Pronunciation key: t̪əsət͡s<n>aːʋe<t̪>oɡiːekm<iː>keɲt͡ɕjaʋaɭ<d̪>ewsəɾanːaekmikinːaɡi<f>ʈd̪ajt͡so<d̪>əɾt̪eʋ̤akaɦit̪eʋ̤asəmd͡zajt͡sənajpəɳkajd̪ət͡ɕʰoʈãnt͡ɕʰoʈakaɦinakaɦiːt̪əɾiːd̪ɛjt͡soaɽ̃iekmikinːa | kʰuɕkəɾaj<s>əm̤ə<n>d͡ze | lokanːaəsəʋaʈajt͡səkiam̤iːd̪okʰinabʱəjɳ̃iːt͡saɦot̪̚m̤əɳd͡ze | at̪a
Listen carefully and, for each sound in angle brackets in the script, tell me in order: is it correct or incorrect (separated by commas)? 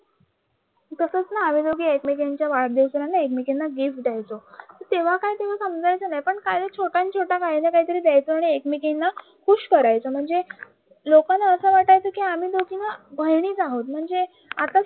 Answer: correct, incorrect, incorrect, correct, correct, incorrect, incorrect, incorrect